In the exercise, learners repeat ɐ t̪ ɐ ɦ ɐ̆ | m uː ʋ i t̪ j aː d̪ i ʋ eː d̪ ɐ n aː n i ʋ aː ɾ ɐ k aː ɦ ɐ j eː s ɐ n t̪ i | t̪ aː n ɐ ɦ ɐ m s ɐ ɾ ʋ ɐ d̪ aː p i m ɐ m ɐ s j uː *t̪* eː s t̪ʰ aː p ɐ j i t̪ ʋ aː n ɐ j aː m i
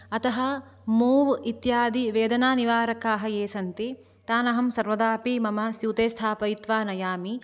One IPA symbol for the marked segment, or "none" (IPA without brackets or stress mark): t̪